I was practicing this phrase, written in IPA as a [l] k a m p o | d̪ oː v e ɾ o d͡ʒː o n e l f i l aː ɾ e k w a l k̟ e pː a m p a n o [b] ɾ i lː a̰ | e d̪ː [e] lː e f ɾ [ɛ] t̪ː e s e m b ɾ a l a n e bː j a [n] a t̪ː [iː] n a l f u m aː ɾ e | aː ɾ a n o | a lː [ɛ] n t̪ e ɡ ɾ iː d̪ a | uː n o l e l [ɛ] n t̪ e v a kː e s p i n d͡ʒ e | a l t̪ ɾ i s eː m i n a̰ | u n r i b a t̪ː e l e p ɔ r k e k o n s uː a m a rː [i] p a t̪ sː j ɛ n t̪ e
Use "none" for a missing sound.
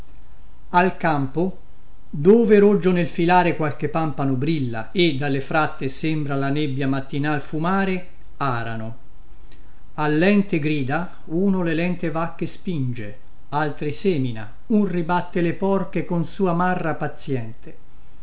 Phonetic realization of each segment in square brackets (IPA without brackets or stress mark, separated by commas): l, b, a, a, m, i, ɛ, ɛ, a